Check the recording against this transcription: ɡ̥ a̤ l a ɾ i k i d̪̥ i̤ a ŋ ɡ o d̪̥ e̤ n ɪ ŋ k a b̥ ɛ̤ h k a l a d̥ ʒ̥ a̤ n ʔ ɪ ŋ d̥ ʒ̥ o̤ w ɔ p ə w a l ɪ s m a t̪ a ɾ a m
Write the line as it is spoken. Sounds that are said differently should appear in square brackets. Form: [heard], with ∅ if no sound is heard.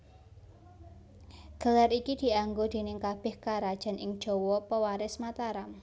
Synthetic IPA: ɡ̥ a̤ l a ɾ i k i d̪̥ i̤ a ŋ ɡ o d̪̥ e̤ n ɪ ŋ k a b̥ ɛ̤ h k a [ɾ] a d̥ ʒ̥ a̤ n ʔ ɪ ŋ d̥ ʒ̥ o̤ w ɔ p ə w a [ɾ] ɪ s m a t̪ a ɾ a m

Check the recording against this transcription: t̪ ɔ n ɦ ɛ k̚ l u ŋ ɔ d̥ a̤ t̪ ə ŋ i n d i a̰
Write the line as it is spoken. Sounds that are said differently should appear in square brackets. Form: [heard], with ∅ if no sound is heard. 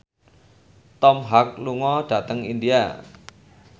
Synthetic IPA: t̪ ɔ [m] ɦ [a] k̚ l u ŋ ɔ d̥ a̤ t̪ ə ŋ i n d i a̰

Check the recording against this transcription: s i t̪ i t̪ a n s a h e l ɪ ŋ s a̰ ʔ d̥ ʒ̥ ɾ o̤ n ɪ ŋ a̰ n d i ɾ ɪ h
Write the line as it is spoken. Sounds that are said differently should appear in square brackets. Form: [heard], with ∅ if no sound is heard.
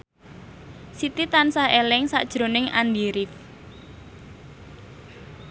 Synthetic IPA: s i t̪ i t̪ a n s a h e l ɪ ŋ s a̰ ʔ d̥ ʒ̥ ɾ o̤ n ɪ ŋ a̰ n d i ɾ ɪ [f]

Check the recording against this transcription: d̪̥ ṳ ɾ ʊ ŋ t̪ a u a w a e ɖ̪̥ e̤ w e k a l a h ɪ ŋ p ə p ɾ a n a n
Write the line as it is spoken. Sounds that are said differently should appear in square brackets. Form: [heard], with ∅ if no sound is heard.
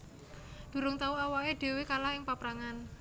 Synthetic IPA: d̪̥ ṳ ɾ ʊ ŋ t̪ a u a w a e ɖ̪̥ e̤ w e k a l a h ɪ ŋ p [a] p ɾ a [ŋ] a n

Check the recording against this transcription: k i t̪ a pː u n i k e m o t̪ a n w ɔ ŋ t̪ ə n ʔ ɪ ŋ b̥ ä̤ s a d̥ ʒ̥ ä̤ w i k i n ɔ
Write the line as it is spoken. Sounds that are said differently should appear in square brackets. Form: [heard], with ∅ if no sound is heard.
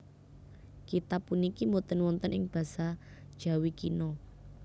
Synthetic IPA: k i t̪ a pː u n i k [i] m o t̪ [ə] n w ɔ [n] t̪ ə n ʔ ɪ ŋ b̥ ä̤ s a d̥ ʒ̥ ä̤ w i k i n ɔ

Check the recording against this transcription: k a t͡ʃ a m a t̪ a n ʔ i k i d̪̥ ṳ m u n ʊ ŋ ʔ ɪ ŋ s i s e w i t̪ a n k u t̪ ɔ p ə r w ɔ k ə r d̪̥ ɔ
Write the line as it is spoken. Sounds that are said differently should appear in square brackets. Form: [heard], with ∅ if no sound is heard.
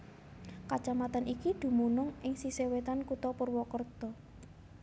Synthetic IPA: k a t͡ʃ a m a t̪ a n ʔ i k i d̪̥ ṳ m u n ʊ ŋ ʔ ɪ ŋ s i s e w [e] t̪ a n k u t̪ ɔ p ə r w ɔ k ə r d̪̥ ɔ

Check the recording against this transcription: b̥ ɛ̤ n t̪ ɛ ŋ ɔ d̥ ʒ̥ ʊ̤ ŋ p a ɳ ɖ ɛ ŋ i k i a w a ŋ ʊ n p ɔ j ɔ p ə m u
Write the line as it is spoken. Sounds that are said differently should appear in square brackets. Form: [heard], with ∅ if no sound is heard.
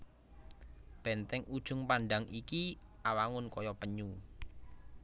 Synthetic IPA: b̥ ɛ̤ n t̪ ɛ ŋ [u] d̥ ʒ̥ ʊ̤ ŋ p a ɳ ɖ [a] ŋ i k i a w a ŋ ʊ n [k] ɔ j ɔ p ə [ɲ] u

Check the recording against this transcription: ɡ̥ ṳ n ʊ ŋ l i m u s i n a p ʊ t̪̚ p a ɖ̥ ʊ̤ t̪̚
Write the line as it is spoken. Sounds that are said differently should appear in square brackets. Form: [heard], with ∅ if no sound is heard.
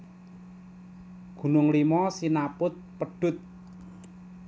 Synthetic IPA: ɡ̥ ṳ n ʊ ŋ l i m [ɔ] s i n a p ʊ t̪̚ p [ə] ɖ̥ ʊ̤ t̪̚

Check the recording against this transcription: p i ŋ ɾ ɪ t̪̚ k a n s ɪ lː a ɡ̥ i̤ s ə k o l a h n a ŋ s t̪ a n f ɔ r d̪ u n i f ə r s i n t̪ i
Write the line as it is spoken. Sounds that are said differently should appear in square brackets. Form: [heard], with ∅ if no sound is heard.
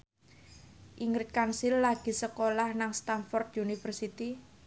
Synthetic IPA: [ʔ] i ŋ ɾ ɪ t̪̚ k a n s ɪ lː a ɡ̥ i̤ s ə k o l a h n a ŋ s t̪ a n f ɔ r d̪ u n i f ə r s i [∅] t̪ i

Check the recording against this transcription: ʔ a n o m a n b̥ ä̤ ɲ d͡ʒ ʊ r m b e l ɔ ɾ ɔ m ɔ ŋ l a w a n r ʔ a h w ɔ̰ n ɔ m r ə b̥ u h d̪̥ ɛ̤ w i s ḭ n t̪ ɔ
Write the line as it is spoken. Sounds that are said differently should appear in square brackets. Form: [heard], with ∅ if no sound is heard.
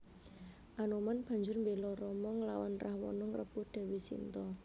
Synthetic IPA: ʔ a n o m a n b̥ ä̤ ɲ d͡ʒ ʊ r m b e l ɔ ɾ ɔ m ɔ ŋ l a w a n r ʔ a h w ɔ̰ n ɔ [ŋ] r ə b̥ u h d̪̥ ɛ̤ w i s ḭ n t̪ ɔ

